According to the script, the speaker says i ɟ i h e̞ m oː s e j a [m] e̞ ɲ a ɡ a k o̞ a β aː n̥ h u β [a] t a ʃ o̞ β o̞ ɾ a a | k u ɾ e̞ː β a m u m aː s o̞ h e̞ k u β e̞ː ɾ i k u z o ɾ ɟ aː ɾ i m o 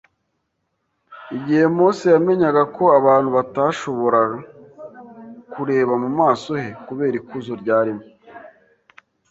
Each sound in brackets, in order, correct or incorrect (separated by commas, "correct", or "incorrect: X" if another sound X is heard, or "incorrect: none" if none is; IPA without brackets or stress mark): correct, correct